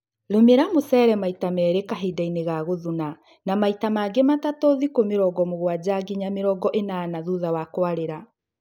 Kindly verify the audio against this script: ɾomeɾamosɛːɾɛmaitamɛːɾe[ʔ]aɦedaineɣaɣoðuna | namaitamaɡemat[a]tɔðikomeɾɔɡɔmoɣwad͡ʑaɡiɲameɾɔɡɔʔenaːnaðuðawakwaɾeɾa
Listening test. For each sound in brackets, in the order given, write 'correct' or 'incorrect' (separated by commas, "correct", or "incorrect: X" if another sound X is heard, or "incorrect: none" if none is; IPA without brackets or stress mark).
incorrect: k, correct